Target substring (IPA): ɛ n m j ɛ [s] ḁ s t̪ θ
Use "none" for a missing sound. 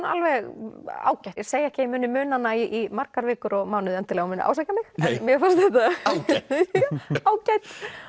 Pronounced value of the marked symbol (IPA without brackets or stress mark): f